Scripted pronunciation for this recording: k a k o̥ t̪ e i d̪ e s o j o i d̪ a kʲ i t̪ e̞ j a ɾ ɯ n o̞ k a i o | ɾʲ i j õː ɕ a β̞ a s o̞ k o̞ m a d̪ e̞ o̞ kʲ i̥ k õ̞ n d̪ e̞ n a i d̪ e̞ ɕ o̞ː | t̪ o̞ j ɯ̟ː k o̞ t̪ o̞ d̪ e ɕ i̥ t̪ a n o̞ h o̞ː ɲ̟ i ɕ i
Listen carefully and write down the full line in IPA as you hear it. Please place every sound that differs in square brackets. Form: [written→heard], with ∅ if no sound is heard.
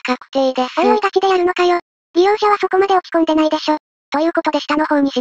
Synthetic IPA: k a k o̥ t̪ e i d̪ e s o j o i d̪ a kʲ i [t̪→d̪] e̞ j a ɾ ɯ n o̞ k a [i→j] o | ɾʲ i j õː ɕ a β̞ a s o̞ k o̞ m a d̪ e̞ o̞ kʲ i̥ k õ̞ n d̪ e̞ n a i d̪ e̞ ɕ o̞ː | t̪ o̞ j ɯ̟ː k o̞ t̪ o̞ d̪ e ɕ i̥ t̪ a n o̞ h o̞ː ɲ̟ i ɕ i